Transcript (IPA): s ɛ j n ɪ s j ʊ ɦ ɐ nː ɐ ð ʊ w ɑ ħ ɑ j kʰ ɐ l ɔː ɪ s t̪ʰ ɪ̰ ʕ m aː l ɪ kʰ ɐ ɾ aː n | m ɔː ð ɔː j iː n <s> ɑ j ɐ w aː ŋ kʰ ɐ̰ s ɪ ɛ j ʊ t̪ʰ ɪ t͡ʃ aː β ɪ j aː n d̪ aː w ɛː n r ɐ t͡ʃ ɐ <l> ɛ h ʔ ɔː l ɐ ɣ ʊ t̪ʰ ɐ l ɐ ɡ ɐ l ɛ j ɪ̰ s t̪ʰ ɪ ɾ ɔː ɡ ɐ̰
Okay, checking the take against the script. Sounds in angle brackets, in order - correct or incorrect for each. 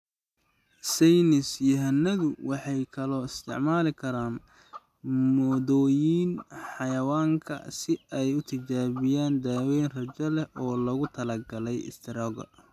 incorrect: ħ, correct

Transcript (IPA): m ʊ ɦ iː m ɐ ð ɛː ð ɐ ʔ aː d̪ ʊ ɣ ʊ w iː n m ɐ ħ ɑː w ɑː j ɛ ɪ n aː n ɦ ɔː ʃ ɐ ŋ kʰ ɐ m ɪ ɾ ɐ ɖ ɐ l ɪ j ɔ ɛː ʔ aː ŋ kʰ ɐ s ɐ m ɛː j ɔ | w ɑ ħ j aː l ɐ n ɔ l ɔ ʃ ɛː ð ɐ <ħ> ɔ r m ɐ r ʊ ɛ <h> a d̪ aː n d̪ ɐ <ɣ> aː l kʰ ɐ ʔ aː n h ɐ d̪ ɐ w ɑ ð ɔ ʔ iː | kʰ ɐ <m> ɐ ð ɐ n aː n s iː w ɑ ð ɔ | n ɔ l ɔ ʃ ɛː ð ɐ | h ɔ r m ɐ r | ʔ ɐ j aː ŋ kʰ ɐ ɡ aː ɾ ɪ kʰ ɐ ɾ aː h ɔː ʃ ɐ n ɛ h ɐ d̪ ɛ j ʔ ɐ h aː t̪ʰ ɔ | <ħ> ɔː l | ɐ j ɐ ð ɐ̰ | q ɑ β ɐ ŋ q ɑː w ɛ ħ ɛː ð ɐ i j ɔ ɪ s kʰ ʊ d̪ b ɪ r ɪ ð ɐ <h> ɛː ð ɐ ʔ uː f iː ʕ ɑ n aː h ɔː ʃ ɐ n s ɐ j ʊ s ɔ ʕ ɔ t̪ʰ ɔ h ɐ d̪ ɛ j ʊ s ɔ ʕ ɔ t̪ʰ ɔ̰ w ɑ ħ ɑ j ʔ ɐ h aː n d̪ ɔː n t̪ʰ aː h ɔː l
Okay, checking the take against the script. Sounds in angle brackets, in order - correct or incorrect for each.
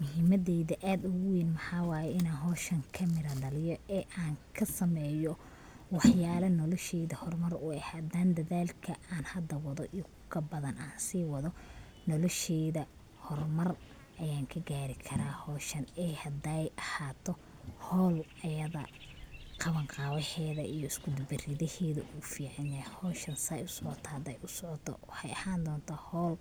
incorrect: h, correct, incorrect: ð, incorrect: b, incorrect: h, correct

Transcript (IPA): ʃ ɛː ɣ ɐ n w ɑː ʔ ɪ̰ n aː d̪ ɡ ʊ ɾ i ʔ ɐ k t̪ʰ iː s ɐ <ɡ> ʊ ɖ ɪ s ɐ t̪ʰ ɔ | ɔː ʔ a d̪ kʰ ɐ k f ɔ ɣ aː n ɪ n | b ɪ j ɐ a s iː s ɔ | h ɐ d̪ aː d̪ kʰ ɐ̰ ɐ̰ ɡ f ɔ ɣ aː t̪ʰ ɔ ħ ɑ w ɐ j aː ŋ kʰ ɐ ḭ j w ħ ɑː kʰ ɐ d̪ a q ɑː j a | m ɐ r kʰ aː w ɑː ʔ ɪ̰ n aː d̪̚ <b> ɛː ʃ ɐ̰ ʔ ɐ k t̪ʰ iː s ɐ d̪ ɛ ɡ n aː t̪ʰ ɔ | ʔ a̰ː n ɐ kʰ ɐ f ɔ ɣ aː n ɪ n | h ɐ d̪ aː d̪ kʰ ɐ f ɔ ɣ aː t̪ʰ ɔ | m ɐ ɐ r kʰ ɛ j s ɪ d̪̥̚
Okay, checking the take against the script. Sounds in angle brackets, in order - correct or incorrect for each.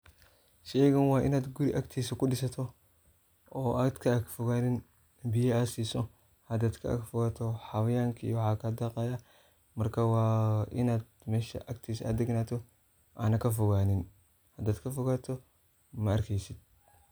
incorrect: k, incorrect: m

